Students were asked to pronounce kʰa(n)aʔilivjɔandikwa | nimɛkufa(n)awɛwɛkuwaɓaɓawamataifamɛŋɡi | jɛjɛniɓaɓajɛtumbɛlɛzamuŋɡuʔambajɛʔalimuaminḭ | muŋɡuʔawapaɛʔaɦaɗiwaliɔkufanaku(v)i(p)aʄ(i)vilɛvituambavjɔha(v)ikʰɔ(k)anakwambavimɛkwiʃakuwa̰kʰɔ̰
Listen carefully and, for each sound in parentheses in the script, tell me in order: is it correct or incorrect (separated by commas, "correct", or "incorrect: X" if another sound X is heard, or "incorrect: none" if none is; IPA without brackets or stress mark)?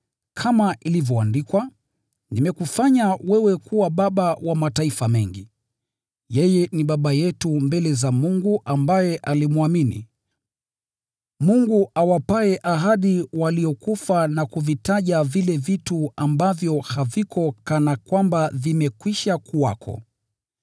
incorrect: m, incorrect: ɲ, correct, incorrect: t, incorrect: a, correct, correct